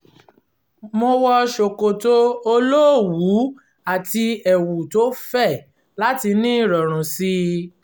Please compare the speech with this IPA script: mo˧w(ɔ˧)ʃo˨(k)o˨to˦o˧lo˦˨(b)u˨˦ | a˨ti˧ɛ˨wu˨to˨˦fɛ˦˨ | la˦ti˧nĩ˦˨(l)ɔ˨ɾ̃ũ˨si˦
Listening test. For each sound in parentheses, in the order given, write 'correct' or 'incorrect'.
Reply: correct, correct, incorrect, incorrect

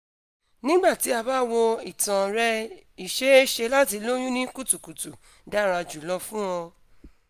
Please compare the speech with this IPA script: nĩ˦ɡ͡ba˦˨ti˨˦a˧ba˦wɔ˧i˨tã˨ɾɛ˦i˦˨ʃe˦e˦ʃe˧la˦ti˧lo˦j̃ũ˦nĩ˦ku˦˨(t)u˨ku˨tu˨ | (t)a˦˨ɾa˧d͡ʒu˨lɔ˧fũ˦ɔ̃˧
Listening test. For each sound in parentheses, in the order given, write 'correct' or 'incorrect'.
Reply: correct, incorrect

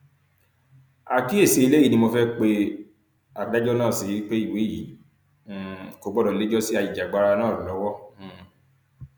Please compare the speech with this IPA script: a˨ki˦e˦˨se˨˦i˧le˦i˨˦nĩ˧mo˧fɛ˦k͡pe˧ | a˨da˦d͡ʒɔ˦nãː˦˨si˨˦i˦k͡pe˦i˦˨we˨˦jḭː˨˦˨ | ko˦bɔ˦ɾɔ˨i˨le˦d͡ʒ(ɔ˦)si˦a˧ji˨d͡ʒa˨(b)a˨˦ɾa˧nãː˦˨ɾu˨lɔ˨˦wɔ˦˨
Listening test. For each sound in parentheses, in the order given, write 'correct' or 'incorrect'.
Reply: correct, incorrect

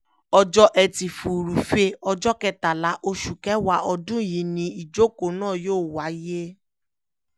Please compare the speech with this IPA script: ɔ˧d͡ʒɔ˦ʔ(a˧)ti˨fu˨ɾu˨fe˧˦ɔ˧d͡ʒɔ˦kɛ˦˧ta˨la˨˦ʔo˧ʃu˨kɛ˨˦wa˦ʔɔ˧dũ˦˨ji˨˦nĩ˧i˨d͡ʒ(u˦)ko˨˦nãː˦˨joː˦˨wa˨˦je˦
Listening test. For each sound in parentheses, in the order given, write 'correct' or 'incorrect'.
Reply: incorrect, incorrect

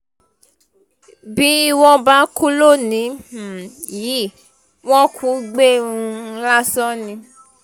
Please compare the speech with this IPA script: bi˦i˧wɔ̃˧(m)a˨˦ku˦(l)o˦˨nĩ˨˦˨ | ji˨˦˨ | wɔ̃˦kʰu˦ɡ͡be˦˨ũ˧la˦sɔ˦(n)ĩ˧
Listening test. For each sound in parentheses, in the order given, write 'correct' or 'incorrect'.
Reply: incorrect, correct, correct

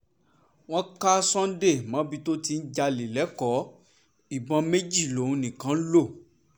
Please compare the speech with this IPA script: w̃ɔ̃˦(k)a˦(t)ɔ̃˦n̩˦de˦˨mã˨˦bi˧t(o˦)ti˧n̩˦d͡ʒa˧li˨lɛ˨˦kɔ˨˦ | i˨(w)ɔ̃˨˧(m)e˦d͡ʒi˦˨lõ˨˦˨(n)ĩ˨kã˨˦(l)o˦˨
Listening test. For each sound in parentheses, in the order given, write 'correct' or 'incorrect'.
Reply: correct, incorrect, correct, incorrect, correct, correct, correct

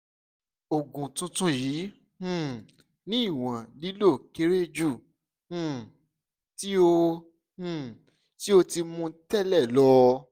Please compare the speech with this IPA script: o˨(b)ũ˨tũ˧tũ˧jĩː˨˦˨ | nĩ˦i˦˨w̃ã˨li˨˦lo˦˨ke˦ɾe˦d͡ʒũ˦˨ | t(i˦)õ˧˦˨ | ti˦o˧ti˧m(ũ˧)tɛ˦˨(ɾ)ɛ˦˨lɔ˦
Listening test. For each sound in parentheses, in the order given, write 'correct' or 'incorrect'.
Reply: incorrect, correct, correct, incorrect

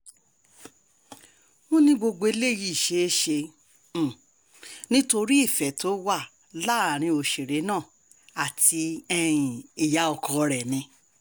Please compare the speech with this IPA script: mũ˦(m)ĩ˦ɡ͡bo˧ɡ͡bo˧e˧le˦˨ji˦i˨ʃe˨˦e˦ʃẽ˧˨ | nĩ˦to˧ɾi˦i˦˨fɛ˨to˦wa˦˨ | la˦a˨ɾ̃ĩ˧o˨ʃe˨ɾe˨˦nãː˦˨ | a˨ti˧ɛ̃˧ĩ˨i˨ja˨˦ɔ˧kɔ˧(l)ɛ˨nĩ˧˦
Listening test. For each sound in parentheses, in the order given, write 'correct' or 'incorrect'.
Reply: incorrect, incorrect

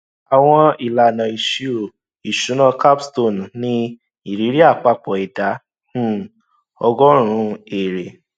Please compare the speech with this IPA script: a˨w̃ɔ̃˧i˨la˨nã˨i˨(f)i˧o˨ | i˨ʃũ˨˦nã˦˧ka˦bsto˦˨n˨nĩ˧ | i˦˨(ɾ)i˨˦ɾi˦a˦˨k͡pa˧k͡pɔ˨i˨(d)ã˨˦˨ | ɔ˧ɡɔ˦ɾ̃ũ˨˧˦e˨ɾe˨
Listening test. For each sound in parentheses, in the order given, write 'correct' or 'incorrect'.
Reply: incorrect, correct, correct

